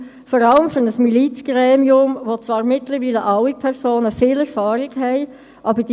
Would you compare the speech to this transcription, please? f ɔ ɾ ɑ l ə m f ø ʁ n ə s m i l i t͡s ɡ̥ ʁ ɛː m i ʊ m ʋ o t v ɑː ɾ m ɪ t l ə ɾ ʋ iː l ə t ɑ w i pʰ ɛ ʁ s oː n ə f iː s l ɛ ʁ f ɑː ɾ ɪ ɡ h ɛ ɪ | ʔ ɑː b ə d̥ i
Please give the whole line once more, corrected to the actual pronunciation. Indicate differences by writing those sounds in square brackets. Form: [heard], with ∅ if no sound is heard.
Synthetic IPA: f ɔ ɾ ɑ l ə m f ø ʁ n ə s m i l i t͡s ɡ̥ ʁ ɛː m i ʊ m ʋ o [t͡s] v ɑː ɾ m ɪ t l ə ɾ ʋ iː l ə [ʔ] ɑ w i pʰ ɛ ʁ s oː n ə f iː [∅] l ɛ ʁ f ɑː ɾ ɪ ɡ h ɛ ɪ | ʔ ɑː b ə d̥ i